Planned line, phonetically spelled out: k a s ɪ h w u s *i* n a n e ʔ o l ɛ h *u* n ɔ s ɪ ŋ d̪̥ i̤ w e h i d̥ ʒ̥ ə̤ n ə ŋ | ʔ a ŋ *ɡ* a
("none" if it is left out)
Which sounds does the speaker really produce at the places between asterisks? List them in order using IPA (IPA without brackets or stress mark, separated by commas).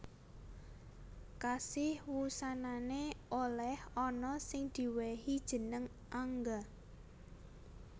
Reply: a, ɔ, ɡ